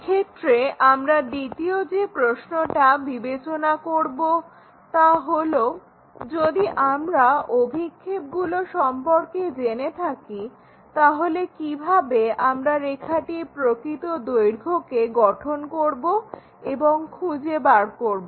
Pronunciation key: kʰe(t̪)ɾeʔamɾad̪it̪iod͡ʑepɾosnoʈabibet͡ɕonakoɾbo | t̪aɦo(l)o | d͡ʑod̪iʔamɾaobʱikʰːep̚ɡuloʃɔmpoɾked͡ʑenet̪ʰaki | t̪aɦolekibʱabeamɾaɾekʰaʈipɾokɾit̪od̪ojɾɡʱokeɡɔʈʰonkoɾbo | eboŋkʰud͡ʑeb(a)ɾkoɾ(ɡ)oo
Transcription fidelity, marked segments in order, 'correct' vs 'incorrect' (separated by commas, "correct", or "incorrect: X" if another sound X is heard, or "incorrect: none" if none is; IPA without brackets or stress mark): correct, correct, correct, incorrect: b